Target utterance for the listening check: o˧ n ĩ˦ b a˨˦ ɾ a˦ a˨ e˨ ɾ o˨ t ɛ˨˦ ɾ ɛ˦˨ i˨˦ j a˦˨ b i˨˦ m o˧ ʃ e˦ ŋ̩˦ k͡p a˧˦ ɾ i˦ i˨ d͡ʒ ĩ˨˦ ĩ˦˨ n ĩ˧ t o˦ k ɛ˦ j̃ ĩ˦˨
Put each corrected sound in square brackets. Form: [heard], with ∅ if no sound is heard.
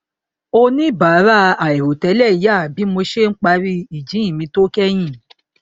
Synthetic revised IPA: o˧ n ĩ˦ b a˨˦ ɾ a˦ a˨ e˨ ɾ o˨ t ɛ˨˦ [l] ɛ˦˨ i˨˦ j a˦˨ b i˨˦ m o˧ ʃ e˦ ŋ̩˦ k͡p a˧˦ ɾ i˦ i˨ d͡ʒ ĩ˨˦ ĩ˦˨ [m] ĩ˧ t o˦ k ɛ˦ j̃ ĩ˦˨